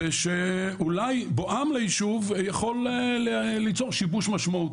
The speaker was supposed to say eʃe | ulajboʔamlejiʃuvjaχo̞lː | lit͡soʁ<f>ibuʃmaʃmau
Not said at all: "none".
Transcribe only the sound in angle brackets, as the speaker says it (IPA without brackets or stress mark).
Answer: ʃ